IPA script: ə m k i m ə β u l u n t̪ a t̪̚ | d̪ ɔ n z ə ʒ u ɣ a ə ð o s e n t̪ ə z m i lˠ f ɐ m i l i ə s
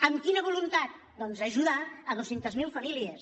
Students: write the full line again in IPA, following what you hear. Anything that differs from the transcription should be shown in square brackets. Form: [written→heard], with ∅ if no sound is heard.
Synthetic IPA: ə m k i [m→n] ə β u l u n t̪ a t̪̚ | d̪ ɔ n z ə ʒ u [ɣ→ð] a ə ð o s e n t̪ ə z m i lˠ f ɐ m i l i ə s